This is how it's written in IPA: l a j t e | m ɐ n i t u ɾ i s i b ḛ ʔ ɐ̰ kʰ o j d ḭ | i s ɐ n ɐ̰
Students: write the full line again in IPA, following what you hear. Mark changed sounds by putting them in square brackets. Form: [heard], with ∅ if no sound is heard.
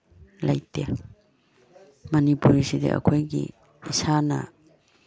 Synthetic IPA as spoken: l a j t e | m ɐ n i [p] u ɾ i s i [d] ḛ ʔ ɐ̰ kʰ o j [ɡ] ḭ | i s [a] n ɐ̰